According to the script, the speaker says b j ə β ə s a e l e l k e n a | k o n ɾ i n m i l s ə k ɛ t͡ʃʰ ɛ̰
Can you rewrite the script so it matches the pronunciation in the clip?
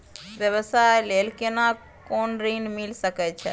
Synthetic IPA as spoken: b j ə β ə s a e l e l k e n a | k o n ɾ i n m i l s ə k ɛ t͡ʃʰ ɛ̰